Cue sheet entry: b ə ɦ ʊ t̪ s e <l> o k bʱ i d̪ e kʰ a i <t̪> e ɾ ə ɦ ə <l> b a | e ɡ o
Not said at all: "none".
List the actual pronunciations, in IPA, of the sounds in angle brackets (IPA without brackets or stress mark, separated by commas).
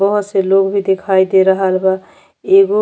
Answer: l, d̪, l